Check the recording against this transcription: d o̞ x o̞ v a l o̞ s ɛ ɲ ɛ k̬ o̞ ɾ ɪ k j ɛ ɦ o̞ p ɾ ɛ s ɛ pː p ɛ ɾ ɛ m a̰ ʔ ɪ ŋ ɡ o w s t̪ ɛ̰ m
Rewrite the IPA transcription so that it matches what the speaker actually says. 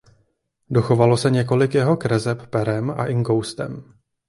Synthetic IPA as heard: d o̞ x o̞ v a l o̞ s ɛ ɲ ɛ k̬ o̞ l ɪ k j ɛ ɦ o̞ k ɾ ɛ z ɛ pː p ɛ ɾ ɛ m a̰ ʔ ɪ ŋ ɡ o w s t̪ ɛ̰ m